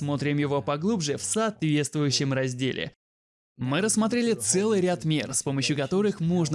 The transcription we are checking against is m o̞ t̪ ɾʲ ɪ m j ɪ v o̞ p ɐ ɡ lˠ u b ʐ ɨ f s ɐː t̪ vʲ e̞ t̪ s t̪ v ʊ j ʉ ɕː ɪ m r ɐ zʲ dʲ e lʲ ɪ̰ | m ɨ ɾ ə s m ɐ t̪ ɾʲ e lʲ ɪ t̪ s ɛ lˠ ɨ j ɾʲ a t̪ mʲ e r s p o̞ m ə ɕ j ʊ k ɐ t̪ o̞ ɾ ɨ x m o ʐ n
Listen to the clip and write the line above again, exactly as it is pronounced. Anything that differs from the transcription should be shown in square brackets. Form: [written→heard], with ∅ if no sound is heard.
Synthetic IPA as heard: m o̞ t̪ ɾʲ ɪ m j ɪ v o̞ p ɐ ɡ lˠ u b ʐ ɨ f s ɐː t̪ vʲ e̞ t̪ s t̪ v ʊ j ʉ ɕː ɪ m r ɐ zʲ dʲ e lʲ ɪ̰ | m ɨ ɾ ə s m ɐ t̪ ɾʲ e lʲ ɪ t̪ s ɛ lˠ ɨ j ɾʲ a t̪ mʲ e r s p o̞ m ə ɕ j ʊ k ɐ t̪ o̞ ɾ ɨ x m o ʐ n

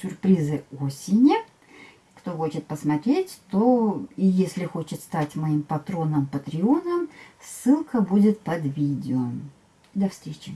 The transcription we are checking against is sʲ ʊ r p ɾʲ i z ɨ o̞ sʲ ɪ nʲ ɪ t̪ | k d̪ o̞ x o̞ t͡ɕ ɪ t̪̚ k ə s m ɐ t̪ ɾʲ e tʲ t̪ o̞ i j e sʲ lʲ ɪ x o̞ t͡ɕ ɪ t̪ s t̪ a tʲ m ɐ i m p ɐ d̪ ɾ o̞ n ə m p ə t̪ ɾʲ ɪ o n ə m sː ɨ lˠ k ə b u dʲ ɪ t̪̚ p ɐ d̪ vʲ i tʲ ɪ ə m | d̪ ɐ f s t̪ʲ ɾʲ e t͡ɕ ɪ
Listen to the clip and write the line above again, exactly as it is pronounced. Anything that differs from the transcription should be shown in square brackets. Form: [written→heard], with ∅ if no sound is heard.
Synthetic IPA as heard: sʲ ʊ r p ɾʲ i z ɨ o̞ sʲ ɪ nʲ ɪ [t̪→∅] | k [d̪→t̪] o̞ x o̞ t͡ɕ ɪ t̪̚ [k→p] ə s m ɐ t̪ ɾʲ e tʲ t̪ o̞ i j e sʲ lʲ ɪ x o̞ t͡ɕ ɪ t̪ s t̪ a tʲ m ɐ i m p ɐ [d̪→t̪] ɾ o̞ n ə m p ə t̪ ɾʲ ɪ o n ə m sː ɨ lˠ k ə b u dʲ ɪ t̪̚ p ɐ d̪ vʲ i [tʲ→dʲ] ɪ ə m | d̪ ɐ f s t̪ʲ ɾʲ e t͡ɕ ɪ

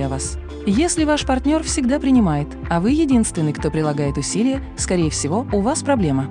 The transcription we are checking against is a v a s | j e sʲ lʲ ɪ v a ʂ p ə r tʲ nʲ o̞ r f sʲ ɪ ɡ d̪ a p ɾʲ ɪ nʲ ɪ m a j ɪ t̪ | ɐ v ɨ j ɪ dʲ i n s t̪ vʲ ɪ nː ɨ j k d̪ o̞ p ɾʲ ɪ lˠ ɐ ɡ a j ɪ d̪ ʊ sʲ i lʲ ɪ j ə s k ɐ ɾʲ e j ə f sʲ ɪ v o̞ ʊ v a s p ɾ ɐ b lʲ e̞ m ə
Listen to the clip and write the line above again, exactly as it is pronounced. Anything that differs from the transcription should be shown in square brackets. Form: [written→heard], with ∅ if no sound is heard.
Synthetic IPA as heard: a v a s | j e sʲ lʲ ɪ v a ʂ p [ə→ɐ] r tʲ nʲ o̞ r f sʲ ɪ ɡ d̪ a p ɾʲ ɪ nʲ ɪ m a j ɪ t̪ | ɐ v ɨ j ɪ dʲ i n s t̪ vʲ ɪ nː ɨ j k [d̪→t̪] o̞ p ɾʲ ɪ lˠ ɐ ɡ a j ɪ [d̪→t̪] ʊ sʲ i lʲ ɪ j ə s k ɐ ɾʲ e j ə f sʲ ɪ v o̞ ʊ v a s p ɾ ɐ b lʲ e̞ m ə

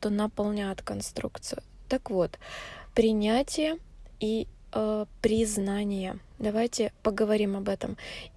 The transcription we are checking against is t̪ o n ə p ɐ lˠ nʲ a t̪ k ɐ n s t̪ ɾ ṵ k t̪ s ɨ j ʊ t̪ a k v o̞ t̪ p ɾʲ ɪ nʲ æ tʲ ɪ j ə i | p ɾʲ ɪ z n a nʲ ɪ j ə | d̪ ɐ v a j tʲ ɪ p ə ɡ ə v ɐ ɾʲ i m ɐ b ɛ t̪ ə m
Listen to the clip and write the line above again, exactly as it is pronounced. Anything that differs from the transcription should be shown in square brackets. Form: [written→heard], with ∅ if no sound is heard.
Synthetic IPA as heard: t̪ o n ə p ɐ lˠ nʲ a t̪ k ɐ n s t̪ ɾ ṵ k t̪ s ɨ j ʊ t̪ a k v o̞ t̪ p ɾʲ ɪ nʲ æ tʲ ɪ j ə i | p ɾʲ ɪ z n a nʲ ɪ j ə | d̪ ɐ v a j tʲ ɪ p ə ɡ ə v ɐ ɾʲ i m ɐ b ɛ t̪ ə m

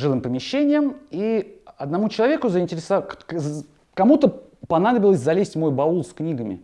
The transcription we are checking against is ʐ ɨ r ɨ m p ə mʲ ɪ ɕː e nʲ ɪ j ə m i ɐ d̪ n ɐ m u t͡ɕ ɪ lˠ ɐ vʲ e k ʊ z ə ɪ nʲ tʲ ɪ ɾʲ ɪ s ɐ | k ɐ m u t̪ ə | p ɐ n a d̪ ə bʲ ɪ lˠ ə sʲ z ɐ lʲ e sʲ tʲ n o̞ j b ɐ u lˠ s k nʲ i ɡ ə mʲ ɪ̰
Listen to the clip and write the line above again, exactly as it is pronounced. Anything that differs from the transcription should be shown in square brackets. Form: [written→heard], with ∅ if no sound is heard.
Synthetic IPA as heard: ʐ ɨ [r→l] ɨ m p ə mʲ ɪ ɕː e nʲ ɪ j ə m i ɐ d̪ n ɐ m u t͡ɕ ɪ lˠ ɐ vʲ e k ʊ z ə ɪ nʲ tʲ ɪ ɾʲ ɪ s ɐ | k ɐ m u t̪ ə | p ɐ n a d̪ ə bʲ ɪ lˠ ə sʲ z ɐ lʲ e sʲ tʲ [n→m] o̞ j b ɐ u lˠ s k nʲ i ɡ ə mʲ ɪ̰

